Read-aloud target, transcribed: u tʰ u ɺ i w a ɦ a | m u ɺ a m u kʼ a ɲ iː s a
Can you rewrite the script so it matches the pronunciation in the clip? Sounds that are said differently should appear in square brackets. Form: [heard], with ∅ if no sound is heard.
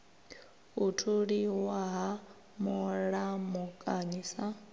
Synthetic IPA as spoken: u tʰ u ɺ i w a ɦ a | m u ɺ a m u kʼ a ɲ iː s a